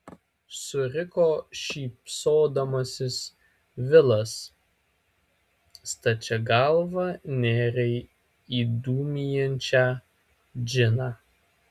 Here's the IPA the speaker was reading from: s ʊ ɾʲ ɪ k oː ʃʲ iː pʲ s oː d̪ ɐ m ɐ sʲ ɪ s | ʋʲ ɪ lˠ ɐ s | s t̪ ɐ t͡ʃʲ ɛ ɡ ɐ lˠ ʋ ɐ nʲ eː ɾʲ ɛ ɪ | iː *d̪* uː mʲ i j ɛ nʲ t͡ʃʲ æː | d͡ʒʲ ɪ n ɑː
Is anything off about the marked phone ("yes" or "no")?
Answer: no